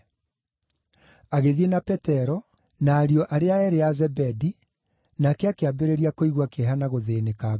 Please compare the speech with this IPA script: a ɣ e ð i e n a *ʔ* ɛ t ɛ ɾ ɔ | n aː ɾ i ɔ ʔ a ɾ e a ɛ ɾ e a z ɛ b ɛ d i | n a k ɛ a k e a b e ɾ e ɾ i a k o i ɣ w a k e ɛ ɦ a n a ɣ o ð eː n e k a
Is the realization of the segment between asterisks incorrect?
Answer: yes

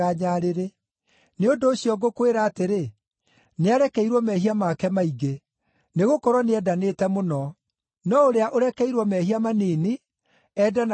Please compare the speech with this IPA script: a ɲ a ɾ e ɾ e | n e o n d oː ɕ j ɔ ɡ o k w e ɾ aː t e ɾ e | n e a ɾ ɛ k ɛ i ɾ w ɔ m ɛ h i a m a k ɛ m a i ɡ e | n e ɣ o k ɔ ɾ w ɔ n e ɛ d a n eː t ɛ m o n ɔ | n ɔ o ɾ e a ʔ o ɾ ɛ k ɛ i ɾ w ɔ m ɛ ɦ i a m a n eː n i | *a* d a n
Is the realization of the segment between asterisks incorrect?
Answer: yes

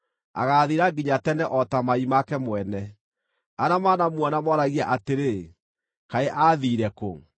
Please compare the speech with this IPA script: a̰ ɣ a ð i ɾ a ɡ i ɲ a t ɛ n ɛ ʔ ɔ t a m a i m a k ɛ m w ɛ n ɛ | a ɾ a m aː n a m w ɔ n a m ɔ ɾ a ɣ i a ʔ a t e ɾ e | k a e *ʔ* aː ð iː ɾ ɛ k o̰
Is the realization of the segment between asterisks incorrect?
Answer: no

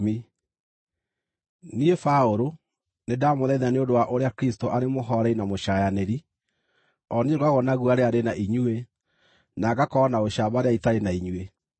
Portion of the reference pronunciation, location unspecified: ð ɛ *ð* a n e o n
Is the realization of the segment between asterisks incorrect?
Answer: no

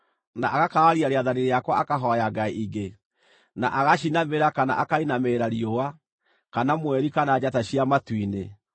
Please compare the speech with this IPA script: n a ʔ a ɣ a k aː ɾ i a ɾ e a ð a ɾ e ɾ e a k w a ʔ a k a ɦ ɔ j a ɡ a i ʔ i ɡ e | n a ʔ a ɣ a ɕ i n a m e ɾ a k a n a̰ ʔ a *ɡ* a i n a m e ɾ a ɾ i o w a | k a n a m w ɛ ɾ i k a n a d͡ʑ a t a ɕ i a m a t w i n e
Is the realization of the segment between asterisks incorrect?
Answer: yes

